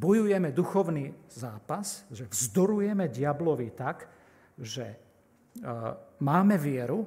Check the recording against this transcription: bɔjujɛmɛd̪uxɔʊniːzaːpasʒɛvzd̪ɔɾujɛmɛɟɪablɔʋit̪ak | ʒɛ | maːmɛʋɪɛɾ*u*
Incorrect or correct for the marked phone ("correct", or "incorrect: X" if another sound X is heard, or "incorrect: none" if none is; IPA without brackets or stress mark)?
correct